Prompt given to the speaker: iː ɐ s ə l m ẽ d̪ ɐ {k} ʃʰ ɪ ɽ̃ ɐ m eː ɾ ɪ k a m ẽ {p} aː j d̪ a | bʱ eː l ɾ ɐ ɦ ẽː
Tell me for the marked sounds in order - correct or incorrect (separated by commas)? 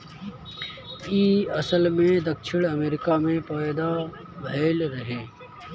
correct, correct